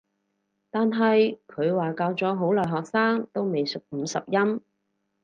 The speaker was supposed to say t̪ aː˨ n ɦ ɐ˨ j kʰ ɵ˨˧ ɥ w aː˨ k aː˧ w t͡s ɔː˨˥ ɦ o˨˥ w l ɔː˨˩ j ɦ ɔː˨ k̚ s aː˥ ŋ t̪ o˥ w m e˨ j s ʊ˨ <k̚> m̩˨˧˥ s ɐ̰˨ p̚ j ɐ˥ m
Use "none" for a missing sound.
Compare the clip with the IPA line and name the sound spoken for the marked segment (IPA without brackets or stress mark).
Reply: k̚